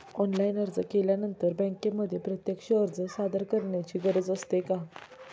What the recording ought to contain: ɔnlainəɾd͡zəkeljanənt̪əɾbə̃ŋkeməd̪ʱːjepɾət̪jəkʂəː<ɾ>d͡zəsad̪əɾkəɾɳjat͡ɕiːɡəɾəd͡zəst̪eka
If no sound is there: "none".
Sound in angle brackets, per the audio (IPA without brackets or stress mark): ɾ